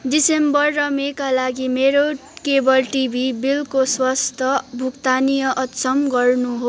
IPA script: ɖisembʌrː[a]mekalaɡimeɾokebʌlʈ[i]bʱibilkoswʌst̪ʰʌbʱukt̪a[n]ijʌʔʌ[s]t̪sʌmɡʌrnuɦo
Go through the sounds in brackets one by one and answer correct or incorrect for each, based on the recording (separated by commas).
incorrect, correct, correct, incorrect